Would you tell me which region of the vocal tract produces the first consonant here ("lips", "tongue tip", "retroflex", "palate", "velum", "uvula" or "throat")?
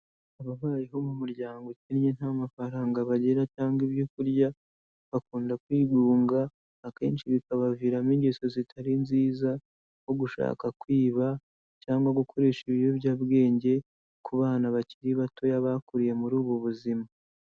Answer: lips